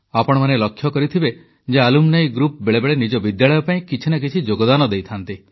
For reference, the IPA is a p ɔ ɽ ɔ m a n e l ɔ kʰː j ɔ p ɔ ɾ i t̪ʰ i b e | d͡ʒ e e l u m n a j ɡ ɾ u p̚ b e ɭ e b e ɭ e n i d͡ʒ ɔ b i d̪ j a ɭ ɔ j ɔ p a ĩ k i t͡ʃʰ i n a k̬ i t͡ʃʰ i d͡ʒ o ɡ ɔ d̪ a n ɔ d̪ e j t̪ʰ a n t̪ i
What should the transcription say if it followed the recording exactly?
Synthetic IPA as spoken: a p ɔ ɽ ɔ m a n e l ɔ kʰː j ɔ k ɔ ɾ i t̪ʰ i b e | d͡ʒ e a l u m n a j ɡ ɾ u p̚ b e ɭ e b e ɭ e n i d͡ʒ ɔ b i d̪ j a ɭ ɔ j ɔ p a ĩ k i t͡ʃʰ i n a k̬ i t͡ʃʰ i d͡ʒ o ɡ ɔ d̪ a n ɔ d̪ e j t̪ʰ a n t̪ i